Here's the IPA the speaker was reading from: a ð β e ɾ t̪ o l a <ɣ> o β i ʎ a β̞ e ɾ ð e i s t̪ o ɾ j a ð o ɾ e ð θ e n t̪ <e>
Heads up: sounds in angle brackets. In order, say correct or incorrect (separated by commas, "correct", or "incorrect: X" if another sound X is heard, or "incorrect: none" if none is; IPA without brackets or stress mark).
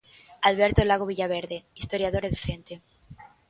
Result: correct, correct